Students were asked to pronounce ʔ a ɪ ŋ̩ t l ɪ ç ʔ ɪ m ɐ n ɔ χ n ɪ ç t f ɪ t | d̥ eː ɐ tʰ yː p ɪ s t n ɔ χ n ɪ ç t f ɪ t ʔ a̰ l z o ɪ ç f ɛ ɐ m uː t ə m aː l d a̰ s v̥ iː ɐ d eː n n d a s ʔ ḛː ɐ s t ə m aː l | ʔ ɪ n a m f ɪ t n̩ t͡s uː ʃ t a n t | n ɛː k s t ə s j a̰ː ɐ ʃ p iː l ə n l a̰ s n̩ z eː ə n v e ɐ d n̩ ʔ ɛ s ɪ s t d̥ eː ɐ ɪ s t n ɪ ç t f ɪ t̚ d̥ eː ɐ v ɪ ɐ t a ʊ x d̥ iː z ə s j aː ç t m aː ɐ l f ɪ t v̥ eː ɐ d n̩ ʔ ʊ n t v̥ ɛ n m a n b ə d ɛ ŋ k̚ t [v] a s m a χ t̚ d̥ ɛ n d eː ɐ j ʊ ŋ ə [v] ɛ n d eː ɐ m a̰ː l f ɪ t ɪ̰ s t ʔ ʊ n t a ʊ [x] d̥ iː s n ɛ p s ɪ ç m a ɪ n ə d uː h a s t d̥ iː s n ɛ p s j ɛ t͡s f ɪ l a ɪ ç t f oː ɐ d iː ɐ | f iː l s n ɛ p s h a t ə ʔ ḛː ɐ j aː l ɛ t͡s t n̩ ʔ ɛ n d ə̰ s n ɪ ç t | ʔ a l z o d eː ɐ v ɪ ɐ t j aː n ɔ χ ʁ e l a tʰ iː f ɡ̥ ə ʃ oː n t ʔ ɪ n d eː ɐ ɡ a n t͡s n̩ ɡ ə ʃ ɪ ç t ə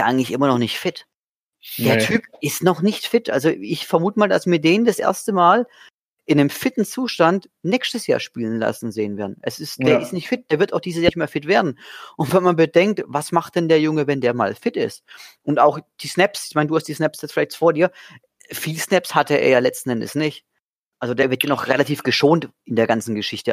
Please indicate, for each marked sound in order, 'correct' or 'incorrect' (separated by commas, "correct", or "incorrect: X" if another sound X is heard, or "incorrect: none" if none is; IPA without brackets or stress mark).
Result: correct, correct, correct